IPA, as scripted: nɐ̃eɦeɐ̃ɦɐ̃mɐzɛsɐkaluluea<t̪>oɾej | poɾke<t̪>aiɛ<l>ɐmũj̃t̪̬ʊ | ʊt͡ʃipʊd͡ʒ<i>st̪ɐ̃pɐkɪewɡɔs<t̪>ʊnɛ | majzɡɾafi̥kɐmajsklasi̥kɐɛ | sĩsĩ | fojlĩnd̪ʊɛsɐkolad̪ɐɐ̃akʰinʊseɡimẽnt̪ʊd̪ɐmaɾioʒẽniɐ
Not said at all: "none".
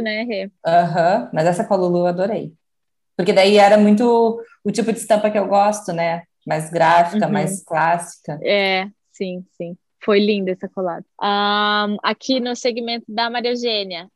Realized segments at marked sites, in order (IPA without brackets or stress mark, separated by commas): d̪, d̪, ɾ, ɪ, t̪